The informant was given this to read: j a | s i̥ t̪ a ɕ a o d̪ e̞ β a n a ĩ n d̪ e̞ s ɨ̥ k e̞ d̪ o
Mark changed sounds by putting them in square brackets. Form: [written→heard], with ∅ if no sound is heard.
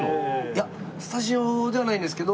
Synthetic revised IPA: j a | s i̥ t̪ a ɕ [a→i] o d̪ e̞ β a n a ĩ n d̪ e̞ s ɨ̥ k e̞ d̪ o

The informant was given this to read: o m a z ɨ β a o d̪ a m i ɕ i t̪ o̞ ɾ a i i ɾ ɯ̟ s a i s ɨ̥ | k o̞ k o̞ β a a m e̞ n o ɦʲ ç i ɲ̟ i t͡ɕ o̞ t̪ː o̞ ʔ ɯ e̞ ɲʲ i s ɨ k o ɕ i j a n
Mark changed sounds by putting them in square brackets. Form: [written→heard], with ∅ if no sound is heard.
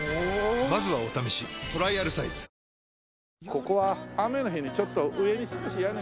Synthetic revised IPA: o m a z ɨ β a o [d̪→t̪] a m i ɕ i t̪ o̞ ɾ a i [i→a] ɾ ɯ̟ s a i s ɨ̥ | k o̞ k o̞ β a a m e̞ n o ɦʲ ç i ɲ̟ i t͡ɕ o̞ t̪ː o̞ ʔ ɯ e̞ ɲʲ i s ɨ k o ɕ i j a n

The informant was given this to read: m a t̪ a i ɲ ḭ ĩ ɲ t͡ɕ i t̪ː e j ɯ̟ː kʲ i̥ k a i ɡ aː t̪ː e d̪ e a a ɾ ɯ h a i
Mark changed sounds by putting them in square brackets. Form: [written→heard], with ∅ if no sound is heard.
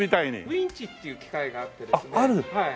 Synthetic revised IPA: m [a→i] t̪ a i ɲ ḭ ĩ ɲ t͡ɕ i t̪ː e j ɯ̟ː kʲ i̥ k a i ɡ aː t̪ː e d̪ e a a ɾ ɯ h a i

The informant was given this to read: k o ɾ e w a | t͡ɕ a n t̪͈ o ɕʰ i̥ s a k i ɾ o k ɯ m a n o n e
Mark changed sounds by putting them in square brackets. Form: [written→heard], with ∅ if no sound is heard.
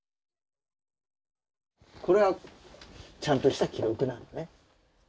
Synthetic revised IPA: k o ɾ e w a | t͡ɕ a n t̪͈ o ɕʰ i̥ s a k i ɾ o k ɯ [m→n] a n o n e

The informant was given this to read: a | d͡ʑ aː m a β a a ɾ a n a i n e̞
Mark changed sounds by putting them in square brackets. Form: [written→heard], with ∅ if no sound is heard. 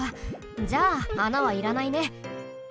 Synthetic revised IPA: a | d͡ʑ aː [m→n] a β a [a→i] ɾ a n a i n e̞

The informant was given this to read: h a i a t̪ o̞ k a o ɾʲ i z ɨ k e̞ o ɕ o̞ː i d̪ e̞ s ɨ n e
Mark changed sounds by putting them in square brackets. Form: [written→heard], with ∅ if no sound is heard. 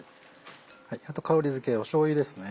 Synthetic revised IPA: h a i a t̪ o̞ k a o ɾʲ i z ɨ k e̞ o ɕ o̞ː i d̪ e̞ s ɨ n e

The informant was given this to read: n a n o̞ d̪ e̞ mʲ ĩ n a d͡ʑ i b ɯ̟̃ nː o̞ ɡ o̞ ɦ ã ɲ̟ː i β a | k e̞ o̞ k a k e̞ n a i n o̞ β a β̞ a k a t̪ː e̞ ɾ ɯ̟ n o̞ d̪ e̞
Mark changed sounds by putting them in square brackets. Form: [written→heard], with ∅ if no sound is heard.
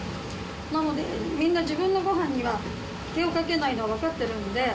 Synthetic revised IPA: n a n o̞ d̪ e̞ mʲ ĩ [n→nː] a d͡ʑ i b ɯ̟̃ nː o̞ ɡ o̞ ɦ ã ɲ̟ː i β a | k e̞ o̞ k a k e̞ n a i n o̞ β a β̞ a k a t̪ː e̞ ɾ ɯ̟ n o̞ d̪ e̞

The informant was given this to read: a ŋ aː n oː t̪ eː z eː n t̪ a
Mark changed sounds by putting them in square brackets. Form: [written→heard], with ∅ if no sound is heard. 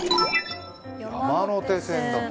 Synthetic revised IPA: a [ŋ→m] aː n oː t̪ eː [z→s] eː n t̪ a

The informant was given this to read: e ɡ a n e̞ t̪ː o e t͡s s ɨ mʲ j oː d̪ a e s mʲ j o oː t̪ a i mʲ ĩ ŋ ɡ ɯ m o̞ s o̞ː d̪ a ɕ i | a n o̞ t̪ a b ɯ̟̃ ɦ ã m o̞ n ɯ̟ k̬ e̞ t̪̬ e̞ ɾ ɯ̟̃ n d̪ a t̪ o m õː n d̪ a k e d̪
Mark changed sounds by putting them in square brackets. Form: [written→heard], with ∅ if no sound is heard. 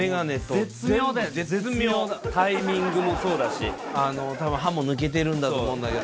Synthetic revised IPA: e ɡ a n e̞ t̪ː o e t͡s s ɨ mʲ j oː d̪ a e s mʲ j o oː t̪ a i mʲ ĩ ŋ ɡ ɯ m o̞ s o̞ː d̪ a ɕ i | a n o̞ t̪ a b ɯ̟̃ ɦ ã m o̞ n ɯ̟ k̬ e̞ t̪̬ e̞ ɾ ɯ̟̃ n d̪ a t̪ o m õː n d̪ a k e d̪

